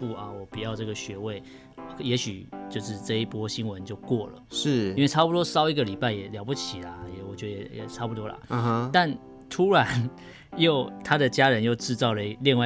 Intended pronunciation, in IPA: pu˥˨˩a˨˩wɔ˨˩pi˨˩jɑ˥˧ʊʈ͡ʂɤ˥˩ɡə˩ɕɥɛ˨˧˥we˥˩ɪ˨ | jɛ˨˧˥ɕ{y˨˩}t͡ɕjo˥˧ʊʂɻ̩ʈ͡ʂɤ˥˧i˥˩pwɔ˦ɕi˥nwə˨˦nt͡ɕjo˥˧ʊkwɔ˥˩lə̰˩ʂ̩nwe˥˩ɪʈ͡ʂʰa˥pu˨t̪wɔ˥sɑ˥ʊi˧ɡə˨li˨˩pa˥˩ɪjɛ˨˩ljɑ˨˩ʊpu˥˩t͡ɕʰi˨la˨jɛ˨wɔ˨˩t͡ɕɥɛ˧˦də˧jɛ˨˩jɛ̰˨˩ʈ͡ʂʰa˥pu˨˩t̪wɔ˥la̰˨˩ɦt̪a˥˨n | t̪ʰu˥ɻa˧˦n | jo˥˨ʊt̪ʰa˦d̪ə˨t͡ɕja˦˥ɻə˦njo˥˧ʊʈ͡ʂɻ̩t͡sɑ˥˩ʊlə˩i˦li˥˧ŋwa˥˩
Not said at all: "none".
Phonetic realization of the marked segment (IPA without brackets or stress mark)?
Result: y˨˩